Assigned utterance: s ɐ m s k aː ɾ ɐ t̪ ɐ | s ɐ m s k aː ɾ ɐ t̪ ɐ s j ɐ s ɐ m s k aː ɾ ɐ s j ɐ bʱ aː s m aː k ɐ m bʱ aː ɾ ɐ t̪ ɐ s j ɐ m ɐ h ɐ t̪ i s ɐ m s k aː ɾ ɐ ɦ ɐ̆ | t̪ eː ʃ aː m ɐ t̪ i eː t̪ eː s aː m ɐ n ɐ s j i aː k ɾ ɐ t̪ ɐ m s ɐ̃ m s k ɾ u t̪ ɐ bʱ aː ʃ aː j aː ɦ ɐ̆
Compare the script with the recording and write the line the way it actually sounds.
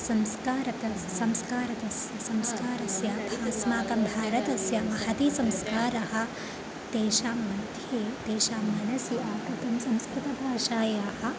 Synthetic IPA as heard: s ɐ m s k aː ɾ ɐ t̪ ɐ | s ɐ m s k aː ɾ ɐ t̪ ɐ s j ɐ s ɐ m s k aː ɾ ɐ s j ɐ bʱ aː s m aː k ɐ m bʱ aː ɾ ɐ t̪ ɐ s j ɐ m ɐ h ɐ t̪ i s ɐ m s k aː ɾ ɐ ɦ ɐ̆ | t̪ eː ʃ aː m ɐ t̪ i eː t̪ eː ʃ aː m ɐ n ɐ s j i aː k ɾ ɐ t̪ ɐ m s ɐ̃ m s k ɾ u t̪ ɐ bʱ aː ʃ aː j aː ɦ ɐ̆